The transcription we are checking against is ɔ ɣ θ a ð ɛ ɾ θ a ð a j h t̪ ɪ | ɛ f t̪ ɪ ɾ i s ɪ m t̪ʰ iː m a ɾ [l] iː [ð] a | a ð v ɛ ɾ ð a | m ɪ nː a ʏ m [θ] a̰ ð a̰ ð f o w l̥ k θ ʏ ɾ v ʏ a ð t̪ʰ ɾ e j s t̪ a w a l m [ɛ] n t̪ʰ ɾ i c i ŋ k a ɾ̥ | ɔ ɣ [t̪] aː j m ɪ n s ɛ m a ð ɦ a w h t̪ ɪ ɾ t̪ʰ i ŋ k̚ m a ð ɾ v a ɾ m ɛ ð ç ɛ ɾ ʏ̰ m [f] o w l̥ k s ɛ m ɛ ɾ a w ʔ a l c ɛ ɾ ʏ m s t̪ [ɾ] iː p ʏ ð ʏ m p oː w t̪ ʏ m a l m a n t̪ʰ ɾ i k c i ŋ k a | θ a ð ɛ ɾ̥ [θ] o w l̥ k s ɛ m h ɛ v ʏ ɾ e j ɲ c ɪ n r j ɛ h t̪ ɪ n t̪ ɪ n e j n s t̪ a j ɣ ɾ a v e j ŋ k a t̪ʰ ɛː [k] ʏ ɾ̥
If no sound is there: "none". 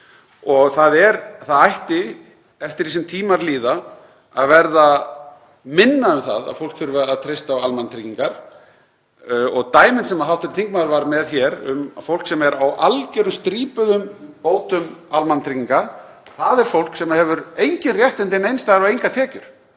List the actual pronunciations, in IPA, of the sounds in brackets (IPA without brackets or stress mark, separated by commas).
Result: l, ð, θ, a, t̪, f, ɾ, f, c